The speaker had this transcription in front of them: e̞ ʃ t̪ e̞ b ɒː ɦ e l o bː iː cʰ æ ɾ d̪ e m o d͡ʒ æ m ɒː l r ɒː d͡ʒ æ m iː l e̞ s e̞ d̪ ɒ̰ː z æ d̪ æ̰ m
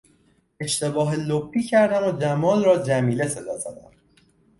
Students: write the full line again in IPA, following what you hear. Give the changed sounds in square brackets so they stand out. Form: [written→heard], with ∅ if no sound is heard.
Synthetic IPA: e̞ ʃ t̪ e̞ b ɒː ɦ e l o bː iː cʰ æ ɾ d̪ [e→æ] m o d͡ʒ æ m ɒː l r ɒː d͡ʒ æ m iː l e̞ s e̞ d̪ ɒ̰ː z æ d̪ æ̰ m